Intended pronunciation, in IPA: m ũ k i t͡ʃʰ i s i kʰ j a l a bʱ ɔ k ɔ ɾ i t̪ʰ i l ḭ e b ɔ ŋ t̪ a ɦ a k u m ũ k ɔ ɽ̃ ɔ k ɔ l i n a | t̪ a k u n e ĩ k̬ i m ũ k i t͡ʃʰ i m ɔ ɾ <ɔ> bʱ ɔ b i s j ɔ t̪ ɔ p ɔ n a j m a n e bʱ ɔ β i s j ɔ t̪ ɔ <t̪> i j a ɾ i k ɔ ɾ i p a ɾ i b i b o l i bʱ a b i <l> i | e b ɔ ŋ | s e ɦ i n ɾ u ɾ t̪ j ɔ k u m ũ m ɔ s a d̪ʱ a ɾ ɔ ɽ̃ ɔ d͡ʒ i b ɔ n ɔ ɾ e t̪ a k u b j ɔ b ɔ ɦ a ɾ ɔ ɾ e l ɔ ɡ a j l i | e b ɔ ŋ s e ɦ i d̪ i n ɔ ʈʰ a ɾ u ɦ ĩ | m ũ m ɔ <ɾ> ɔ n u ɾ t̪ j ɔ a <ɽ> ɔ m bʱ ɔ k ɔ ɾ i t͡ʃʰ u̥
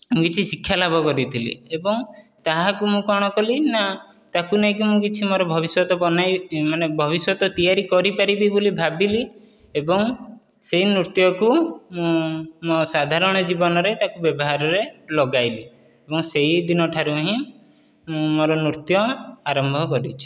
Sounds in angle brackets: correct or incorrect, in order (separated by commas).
correct, correct, correct, correct, incorrect